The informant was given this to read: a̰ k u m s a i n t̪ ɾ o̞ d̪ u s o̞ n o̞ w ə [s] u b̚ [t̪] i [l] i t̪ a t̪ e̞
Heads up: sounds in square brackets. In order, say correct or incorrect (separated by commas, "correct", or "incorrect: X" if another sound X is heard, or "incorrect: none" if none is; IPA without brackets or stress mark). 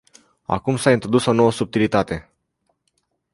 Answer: correct, correct, correct